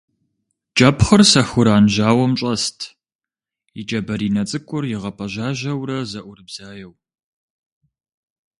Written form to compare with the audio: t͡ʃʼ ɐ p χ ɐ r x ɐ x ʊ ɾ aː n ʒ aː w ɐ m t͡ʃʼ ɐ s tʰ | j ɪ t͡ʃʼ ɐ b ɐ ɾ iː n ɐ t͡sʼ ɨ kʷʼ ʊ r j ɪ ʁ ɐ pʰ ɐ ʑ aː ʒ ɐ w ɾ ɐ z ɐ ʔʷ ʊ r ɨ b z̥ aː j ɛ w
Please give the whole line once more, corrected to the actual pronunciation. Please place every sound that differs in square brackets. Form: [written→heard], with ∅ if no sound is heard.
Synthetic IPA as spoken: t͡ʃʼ ɐ p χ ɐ r [x→s] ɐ x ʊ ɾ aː n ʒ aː w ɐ m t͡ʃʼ ɐ s tʰ | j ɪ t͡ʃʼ ɐ b ɐ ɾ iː n ɐ t͡sʼ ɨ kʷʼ ʊ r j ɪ ʁ ɐ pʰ ɐ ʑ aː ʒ ɐ w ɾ ɐ z ɐ ʔʷ ʊ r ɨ b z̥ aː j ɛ w